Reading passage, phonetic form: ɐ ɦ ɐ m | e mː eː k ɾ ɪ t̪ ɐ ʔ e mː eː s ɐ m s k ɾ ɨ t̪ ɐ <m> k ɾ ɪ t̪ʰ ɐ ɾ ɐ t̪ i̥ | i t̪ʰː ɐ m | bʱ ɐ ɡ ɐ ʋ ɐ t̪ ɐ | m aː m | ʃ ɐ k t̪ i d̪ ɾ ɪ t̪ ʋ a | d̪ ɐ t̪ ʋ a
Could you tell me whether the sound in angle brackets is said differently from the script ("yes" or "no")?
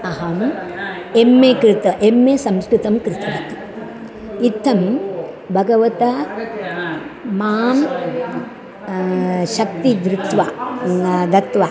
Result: no